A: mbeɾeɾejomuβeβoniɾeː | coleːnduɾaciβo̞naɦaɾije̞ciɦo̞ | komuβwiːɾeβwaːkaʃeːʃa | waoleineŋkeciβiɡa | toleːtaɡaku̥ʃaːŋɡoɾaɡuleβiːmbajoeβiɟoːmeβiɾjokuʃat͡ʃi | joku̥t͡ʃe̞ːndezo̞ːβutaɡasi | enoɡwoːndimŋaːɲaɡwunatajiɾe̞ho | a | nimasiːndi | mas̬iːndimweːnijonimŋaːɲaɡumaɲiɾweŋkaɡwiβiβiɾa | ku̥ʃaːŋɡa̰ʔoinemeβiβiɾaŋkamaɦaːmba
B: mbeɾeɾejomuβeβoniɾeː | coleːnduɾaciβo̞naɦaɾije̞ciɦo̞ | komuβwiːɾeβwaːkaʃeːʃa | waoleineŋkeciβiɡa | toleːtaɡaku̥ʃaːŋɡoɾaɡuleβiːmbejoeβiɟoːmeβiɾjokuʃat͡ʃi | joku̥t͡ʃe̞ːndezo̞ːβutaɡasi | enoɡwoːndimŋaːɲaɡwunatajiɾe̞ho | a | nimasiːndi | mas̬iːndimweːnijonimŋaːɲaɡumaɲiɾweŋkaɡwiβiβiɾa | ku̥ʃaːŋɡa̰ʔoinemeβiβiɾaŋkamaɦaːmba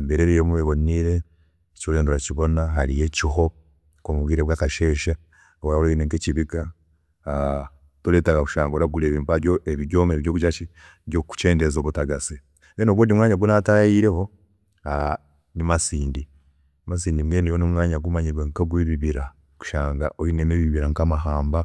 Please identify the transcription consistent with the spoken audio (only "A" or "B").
A